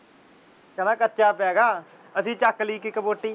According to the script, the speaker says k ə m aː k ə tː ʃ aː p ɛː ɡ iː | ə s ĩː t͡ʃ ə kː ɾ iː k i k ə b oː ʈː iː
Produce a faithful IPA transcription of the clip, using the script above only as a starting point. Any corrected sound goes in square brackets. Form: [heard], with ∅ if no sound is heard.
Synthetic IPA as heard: k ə [n] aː k ə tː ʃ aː p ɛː ɡ [aː] | ə s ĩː t͡ʃ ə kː [l] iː k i k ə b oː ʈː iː